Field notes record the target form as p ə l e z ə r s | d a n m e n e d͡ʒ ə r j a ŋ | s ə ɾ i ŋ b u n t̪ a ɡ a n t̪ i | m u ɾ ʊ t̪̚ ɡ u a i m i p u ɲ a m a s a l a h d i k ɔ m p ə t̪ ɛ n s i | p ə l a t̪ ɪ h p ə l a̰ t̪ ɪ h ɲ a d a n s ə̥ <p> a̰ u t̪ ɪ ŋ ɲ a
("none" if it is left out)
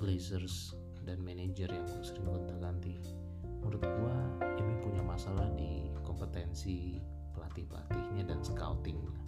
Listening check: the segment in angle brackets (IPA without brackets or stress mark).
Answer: k